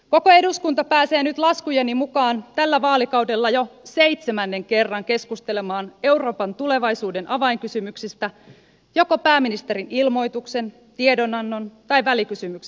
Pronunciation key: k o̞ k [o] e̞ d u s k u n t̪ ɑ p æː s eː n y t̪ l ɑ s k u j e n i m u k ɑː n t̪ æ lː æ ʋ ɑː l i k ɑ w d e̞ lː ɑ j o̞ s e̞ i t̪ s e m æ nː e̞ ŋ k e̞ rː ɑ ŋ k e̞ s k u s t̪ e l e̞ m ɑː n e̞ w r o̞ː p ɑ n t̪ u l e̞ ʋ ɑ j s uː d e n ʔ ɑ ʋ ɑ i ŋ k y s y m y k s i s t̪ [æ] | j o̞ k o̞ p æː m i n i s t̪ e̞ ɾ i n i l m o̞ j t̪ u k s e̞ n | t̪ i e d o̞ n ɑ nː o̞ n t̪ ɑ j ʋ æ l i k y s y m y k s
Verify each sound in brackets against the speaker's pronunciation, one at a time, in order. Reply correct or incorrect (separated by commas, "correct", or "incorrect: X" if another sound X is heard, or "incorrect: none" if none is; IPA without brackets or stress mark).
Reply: correct, correct